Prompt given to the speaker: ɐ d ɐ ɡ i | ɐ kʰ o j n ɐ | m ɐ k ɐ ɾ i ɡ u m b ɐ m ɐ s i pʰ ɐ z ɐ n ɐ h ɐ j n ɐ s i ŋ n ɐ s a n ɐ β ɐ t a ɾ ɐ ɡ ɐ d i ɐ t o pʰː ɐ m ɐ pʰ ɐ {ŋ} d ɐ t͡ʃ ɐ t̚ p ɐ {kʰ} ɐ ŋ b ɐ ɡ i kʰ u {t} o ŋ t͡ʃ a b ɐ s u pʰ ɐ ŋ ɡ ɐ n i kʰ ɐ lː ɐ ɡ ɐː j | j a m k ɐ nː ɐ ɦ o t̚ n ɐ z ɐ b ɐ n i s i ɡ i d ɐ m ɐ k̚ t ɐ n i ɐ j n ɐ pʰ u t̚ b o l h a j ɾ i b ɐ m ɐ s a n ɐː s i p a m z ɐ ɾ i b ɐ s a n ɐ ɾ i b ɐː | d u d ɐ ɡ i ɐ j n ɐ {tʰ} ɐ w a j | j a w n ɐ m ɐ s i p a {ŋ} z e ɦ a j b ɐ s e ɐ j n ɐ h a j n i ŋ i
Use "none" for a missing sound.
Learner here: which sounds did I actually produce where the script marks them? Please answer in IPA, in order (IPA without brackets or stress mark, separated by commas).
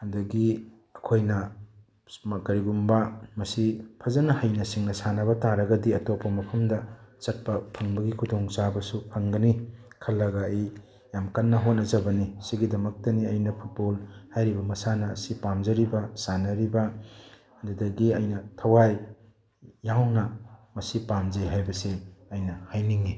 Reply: m, pʰ, d, tʰ, m